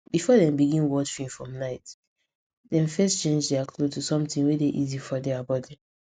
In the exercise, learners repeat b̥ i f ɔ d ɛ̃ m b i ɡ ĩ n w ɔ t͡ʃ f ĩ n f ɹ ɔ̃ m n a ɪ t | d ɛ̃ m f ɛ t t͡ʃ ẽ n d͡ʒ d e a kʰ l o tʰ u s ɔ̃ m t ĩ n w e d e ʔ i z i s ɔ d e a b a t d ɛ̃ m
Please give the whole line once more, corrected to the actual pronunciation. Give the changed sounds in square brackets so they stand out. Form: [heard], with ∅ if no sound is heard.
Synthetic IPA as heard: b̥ i f ɔ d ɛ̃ m b i ɡ ĩ n w ɔ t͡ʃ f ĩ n f ɹ ɔ̃ m n a ɪ t | d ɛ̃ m f ɛ [s] t͡ʃ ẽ n d͡ʒ d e a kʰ l o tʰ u s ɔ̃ m t ĩ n w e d e ʔ i z i [f] ɔ d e a b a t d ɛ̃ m